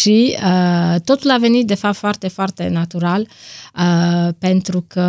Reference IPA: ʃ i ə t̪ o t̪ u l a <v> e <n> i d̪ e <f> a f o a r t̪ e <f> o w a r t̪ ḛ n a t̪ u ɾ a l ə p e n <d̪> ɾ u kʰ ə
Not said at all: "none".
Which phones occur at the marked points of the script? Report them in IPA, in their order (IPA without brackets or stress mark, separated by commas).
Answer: v, n, f, f, t̪